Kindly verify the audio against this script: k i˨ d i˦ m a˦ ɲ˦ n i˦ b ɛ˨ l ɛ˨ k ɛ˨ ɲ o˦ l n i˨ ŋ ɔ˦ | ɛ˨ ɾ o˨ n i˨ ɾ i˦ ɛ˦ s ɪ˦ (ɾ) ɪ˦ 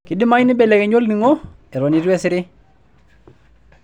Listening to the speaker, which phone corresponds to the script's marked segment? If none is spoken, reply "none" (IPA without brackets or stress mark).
ɾ